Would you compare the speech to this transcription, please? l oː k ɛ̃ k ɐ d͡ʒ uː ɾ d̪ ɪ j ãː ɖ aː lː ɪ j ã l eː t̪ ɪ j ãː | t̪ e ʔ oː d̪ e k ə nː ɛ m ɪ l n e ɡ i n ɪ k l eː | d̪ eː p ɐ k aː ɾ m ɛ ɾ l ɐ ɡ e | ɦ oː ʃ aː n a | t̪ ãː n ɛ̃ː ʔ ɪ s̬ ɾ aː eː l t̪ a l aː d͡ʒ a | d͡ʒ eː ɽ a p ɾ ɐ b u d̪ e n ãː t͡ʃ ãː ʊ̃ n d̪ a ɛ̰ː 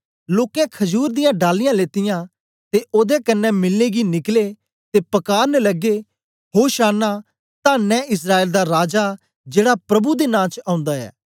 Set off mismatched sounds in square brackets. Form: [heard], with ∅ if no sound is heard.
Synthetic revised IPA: l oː k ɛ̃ [kʰ] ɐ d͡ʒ uː ɾ d̪ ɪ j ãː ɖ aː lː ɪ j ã l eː t̪ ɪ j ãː | t̪ e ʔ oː d̪ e k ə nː ɛ m ɪ l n e ɡ i n ɪ k l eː | [t̪] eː p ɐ k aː ɾ [n] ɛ [∅] l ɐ ɡ e | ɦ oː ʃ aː n a | t̪ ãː n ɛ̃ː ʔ ɪ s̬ ɾ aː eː l [d̪] a [ɾ] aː d͡ʒ a | d͡ʒ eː ɽ a p ɾ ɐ b u d̪ e n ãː t͡ʃ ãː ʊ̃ n d̪ a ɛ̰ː